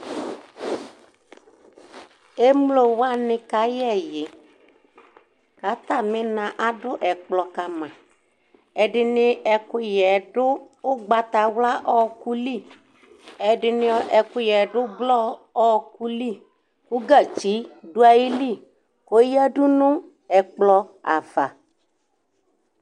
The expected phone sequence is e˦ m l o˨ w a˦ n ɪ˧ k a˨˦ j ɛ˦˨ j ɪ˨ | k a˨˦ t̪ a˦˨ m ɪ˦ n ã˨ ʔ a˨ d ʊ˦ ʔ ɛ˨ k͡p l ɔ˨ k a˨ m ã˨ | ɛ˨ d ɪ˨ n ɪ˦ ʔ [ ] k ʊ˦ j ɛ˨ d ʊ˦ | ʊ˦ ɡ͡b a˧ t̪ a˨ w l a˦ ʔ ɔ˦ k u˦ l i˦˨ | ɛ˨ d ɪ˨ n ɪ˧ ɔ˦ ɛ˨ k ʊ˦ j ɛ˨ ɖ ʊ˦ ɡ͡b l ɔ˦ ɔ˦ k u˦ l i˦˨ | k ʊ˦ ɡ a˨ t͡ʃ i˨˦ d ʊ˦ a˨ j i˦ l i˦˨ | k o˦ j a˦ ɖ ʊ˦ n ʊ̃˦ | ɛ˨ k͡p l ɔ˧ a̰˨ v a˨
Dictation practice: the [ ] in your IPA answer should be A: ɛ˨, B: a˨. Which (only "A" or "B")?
A